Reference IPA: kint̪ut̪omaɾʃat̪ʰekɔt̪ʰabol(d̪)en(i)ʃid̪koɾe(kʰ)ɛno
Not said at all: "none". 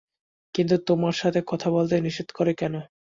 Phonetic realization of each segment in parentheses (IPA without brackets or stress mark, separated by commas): t̪, i, k